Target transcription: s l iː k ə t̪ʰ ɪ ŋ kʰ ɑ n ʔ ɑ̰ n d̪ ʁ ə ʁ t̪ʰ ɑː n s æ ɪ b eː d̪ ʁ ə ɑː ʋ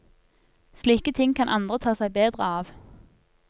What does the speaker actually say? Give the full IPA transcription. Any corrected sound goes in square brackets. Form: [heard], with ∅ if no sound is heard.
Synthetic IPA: s l iː k ə t̪ʰ ɪ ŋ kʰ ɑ n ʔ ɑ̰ n d̪ ʁ ə [∅] t̪ʰ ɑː [∅] s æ ɪ b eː d̪ ʁ ə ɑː ʋ